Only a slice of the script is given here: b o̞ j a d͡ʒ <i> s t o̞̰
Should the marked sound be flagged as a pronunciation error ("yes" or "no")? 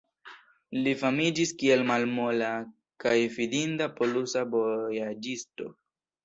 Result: no